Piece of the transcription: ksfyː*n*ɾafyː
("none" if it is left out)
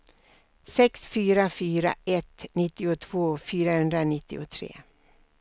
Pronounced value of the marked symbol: none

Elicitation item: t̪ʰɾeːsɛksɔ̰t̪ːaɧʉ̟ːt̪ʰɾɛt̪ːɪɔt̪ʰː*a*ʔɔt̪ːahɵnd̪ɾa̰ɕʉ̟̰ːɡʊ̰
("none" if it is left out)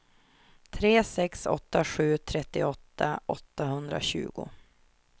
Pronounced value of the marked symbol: a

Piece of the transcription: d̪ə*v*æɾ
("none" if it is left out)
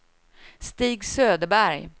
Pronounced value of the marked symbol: b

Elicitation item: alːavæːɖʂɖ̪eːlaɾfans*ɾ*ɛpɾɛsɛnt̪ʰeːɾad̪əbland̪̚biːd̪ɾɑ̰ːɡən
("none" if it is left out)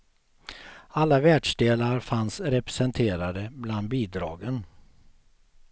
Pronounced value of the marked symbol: ɾ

